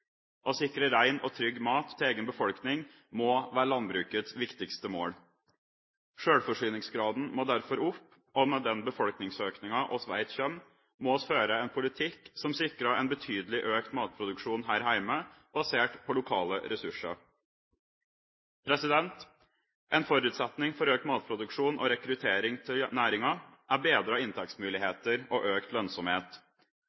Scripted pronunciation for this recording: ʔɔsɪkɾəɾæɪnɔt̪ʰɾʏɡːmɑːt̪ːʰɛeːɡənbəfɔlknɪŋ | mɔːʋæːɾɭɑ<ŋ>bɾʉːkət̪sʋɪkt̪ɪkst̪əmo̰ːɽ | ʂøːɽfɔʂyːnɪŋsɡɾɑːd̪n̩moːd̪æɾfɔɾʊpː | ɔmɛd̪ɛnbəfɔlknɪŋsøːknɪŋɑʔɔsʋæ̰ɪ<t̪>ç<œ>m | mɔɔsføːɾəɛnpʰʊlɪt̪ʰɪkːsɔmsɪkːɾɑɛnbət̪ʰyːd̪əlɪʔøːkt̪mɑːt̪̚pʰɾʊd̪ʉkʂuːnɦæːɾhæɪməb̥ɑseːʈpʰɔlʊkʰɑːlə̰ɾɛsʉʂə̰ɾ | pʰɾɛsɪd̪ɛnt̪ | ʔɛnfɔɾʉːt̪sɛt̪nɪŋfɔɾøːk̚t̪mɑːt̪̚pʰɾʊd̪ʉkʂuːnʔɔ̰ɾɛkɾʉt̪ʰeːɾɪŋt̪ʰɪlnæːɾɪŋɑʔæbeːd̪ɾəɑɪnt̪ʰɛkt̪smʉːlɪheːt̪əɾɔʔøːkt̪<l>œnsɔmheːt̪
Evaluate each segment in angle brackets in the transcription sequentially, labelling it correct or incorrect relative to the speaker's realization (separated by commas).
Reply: incorrect, correct, correct, correct